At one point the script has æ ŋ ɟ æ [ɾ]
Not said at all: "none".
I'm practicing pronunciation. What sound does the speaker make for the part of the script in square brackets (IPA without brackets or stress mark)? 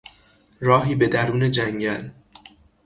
l